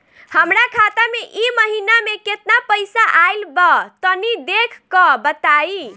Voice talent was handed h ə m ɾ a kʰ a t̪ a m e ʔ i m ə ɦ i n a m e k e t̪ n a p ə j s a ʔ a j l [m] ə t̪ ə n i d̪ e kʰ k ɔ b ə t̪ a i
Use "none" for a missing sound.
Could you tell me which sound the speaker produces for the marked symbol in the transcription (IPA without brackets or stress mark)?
b